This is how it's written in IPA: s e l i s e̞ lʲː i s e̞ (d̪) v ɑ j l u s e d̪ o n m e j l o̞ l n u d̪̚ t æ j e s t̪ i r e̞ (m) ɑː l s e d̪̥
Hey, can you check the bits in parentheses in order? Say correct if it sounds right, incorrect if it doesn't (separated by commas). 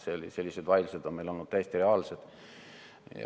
correct, incorrect